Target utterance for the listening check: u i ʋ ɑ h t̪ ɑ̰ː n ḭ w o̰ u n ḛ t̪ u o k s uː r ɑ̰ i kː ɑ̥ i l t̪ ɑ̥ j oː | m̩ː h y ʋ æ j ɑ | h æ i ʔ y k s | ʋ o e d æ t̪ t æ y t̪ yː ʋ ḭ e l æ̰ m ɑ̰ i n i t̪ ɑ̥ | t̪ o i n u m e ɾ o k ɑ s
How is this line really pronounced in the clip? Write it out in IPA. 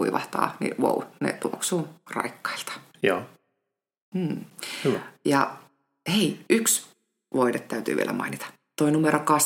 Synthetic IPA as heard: u i ʋ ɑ h t̪ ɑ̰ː n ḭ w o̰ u n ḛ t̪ u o k s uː r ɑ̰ i kː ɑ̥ i l t̪ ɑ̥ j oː | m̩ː h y ʋ æ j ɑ | h e i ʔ y k s | ʋ o i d e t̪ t æ y t̪ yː ʋ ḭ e l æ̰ m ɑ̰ i n i t̪ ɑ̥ | t̪ o i n u m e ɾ o k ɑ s